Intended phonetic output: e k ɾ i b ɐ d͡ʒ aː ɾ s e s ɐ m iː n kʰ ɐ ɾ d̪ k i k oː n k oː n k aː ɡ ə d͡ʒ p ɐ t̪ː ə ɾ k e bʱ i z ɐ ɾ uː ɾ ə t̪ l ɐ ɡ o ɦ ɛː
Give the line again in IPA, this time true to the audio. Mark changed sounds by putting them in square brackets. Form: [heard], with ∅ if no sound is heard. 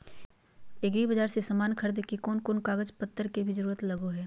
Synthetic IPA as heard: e [ɡ] ɾ i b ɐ d͡ʒ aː ɾ s e s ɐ m [aː] n kʰ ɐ ɾ d̪ k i k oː n k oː n k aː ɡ ə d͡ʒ p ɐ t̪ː ə ɾ k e bʱ i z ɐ ɾ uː ɾ ə t̪ l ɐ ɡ o ɦ ɛː